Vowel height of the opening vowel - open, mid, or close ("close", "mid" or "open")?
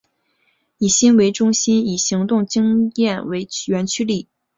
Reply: close